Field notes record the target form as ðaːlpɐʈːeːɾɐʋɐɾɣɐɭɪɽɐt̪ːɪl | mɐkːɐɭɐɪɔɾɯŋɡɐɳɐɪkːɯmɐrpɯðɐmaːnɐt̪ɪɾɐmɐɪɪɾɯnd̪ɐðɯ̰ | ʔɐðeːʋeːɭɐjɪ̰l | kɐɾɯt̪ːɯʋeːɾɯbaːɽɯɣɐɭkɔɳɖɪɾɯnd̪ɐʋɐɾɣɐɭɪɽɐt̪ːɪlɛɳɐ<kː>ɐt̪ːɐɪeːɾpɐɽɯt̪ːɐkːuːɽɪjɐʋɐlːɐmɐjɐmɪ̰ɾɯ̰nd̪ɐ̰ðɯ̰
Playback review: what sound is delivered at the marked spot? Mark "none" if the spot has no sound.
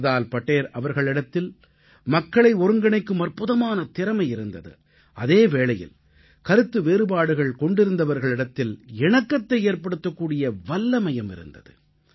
kː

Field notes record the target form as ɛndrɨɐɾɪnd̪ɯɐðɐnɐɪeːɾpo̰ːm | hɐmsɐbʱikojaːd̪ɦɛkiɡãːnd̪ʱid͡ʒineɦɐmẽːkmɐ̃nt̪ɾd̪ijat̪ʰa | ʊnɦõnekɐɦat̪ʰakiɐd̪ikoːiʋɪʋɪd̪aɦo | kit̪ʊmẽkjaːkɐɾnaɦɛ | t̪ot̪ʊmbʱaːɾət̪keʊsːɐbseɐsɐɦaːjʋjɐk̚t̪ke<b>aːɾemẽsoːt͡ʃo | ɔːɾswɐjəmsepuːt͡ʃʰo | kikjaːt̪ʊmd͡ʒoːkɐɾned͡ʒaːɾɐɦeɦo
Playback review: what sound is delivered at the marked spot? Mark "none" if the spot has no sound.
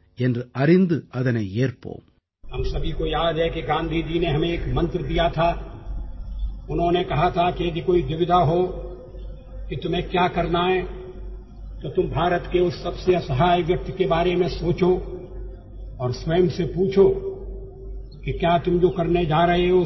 b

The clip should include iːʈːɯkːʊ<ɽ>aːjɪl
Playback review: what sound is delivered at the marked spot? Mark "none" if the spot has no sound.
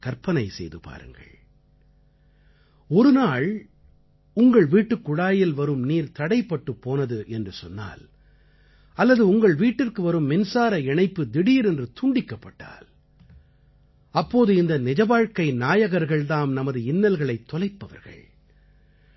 ɽ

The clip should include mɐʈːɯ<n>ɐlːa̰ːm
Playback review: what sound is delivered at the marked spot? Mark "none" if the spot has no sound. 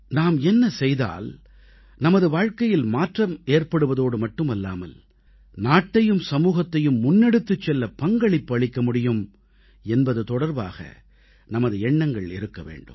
m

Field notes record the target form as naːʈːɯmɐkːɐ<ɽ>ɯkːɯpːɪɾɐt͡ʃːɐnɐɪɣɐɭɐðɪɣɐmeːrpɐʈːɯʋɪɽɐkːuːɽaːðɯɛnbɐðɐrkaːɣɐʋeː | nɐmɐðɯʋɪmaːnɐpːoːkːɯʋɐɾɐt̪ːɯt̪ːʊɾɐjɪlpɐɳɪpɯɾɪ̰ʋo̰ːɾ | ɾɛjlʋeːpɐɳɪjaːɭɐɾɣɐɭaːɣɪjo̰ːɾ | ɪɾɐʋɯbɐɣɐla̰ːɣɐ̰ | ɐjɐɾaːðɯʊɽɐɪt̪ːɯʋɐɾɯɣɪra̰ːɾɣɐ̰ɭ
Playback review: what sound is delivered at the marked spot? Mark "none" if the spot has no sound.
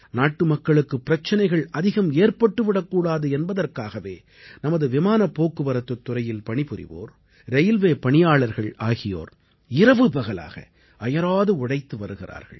ɭ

